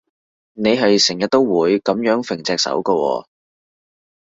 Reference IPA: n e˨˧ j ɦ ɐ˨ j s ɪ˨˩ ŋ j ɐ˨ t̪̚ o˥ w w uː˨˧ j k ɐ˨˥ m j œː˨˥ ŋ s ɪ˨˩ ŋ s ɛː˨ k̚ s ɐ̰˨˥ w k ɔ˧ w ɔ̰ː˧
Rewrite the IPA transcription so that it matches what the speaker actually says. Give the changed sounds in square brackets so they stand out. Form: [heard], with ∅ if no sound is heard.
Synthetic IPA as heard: n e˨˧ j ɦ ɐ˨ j s ɪ˨˩ ŋ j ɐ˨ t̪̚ o˥ w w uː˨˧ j k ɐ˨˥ m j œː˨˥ ŋ [f] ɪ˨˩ ŋ [t͡s] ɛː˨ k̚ s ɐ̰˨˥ w k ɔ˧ w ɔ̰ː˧